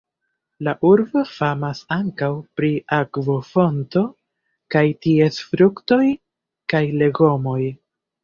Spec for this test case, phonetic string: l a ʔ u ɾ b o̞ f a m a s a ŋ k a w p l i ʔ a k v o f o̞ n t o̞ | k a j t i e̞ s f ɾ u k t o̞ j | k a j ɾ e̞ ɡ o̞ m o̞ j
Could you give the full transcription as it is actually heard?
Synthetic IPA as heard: l a ʔ u ɾ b o̞ f a m a s a ŋ k a w p ɾ i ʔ a k v o f o̞ n t o̞ | k a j t i e̞ s f ɾ u k t o̞ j | k a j l e̞ ɡ o̞ m o̞ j